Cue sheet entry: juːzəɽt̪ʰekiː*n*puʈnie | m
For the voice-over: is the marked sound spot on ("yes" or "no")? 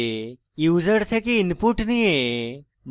yes